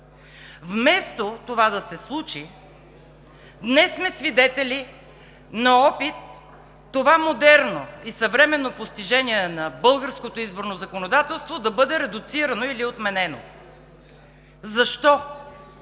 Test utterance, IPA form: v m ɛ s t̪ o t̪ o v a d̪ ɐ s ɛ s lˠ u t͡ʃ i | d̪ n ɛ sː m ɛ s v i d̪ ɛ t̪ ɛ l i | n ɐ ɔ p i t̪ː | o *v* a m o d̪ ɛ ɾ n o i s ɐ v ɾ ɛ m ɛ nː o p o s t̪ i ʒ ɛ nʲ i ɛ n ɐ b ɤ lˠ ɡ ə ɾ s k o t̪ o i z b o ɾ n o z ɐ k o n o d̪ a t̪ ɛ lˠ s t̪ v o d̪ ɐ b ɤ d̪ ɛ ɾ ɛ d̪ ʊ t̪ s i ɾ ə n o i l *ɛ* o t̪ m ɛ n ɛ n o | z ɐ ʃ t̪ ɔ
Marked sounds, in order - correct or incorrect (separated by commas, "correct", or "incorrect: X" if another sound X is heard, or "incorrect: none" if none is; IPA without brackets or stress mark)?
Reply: correct, incorrect: i